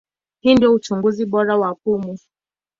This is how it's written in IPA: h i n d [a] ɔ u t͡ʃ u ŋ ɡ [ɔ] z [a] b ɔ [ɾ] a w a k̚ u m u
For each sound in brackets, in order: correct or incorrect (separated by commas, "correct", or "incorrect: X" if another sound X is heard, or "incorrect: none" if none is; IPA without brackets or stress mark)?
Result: incorrect: i, incorrect: u, incorrect: i, correct